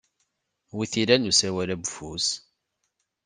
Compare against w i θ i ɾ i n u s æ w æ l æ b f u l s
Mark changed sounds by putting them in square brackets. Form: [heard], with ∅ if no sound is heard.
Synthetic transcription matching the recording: w i θ i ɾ [æ] n u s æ w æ l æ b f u [∅] s